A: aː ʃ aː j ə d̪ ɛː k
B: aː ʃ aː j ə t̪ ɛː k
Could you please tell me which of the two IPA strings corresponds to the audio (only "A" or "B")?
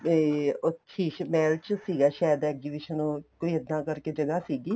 A